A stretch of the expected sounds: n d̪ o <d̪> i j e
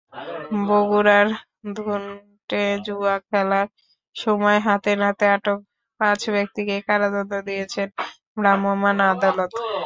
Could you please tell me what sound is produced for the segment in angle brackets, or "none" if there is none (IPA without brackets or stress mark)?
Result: d̪